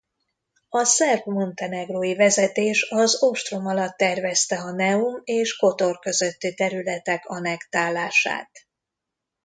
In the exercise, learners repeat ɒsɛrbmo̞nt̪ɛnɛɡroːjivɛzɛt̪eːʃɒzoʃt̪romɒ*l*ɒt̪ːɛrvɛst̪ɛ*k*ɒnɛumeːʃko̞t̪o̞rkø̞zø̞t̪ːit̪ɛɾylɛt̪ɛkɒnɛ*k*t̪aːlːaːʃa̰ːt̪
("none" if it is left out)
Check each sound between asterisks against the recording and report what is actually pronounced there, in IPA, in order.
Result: l, none, k

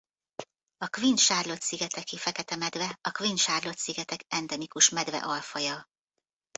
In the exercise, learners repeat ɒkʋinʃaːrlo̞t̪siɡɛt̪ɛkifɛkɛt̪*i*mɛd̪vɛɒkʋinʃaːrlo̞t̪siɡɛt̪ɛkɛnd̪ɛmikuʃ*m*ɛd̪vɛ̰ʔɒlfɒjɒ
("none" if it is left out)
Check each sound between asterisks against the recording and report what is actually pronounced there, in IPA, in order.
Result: ɛ, m

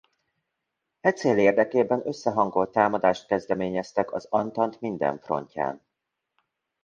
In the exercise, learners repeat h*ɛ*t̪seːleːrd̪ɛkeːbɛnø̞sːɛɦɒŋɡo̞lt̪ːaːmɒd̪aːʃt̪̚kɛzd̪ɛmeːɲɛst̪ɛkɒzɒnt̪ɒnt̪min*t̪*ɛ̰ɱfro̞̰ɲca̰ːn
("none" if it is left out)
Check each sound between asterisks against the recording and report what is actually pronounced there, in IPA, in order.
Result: ɛ, d̪

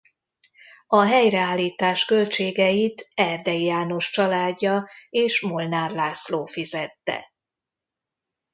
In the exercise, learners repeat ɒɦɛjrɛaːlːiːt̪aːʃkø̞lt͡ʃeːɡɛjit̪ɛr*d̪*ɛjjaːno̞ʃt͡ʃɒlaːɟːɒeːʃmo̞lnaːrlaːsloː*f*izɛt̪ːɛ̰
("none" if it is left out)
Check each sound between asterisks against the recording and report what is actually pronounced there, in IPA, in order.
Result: d̪, f

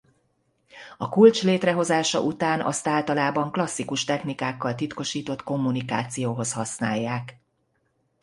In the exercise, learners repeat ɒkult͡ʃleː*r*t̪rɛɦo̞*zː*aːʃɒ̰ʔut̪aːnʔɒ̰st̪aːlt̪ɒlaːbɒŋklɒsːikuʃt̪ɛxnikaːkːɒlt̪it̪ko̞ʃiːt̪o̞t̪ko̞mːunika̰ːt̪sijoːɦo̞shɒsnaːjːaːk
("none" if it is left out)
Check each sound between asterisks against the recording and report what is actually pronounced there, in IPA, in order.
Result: none, z

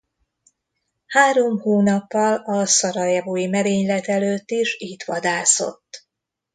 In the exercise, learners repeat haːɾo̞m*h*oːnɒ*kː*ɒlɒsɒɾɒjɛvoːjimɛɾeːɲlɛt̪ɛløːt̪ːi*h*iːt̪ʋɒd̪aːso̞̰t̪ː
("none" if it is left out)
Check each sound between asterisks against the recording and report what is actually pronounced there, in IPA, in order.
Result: h, pː, ʃ

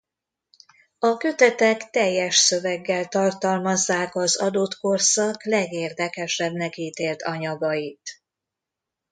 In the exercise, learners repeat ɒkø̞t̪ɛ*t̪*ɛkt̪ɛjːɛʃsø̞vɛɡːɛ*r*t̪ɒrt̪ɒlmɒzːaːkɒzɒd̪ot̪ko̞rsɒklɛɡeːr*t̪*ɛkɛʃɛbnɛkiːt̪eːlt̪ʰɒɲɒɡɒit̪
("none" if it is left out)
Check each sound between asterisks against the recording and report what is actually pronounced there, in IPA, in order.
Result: t̪, l, d̪

